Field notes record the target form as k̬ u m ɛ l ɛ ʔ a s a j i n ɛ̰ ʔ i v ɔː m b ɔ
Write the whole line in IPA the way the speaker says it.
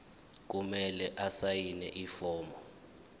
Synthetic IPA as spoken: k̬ u m ɛ l ɛ ʔ a s a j i n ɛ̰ ʔ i f ɔː m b ɔ